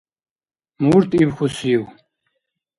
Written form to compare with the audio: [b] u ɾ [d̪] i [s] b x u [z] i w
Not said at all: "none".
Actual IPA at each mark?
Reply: m, t̪, none, s

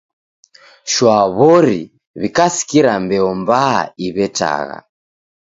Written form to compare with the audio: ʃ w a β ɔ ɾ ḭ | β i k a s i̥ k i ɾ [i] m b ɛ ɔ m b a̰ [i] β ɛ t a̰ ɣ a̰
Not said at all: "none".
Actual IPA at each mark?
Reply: a, i

